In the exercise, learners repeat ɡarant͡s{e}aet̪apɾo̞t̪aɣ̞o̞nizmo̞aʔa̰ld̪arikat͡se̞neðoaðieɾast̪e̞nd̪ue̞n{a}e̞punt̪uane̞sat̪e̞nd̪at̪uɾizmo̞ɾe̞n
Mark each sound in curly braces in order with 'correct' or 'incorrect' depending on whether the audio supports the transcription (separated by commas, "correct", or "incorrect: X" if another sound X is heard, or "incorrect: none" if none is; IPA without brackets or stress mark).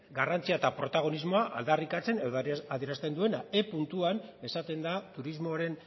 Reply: incorrect: i, correct